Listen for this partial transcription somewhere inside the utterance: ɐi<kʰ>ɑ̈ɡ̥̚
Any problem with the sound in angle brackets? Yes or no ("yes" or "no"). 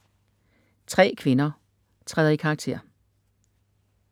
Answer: no